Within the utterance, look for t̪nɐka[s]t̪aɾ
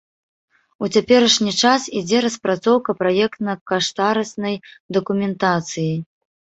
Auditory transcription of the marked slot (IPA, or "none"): ʂ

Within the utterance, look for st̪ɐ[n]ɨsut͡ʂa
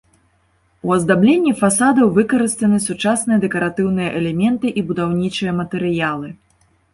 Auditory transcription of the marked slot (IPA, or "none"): n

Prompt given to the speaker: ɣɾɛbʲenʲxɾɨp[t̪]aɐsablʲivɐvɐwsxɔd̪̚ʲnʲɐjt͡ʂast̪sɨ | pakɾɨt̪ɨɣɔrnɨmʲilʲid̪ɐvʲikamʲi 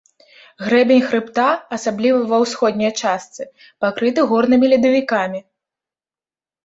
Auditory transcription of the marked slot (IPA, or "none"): t̪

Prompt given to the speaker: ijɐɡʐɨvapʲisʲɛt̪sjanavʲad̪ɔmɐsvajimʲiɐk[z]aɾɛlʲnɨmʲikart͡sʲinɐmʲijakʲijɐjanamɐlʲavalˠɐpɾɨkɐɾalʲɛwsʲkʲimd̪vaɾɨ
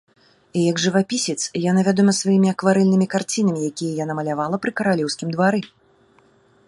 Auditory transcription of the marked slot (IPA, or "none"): v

